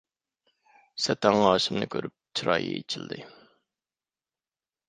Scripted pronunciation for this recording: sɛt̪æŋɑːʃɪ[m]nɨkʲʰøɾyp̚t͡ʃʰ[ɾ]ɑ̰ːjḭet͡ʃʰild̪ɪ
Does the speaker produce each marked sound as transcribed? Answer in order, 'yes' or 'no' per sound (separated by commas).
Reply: yes, yes